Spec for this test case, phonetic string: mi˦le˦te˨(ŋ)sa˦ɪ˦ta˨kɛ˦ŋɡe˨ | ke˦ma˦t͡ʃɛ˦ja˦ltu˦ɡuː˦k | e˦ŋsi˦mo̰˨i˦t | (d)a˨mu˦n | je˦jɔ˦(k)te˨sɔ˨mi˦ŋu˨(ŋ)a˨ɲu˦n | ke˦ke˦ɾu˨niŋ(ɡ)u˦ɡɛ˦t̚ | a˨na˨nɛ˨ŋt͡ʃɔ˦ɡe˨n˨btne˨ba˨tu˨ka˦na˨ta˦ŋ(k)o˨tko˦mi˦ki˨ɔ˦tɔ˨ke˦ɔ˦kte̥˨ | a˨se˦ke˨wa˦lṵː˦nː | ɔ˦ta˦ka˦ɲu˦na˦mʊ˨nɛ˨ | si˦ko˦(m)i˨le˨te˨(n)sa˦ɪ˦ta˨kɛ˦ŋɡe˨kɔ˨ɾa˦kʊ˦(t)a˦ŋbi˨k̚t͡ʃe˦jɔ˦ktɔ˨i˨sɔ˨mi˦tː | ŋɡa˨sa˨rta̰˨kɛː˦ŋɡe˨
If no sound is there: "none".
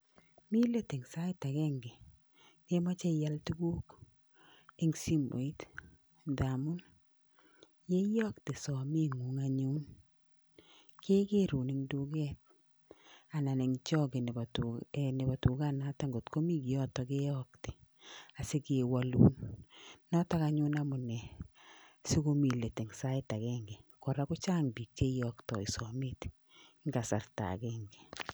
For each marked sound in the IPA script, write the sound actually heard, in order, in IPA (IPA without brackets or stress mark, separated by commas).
ŋ, d, k, ŋ, d, ɡ, m, ŋ, t͡ʃ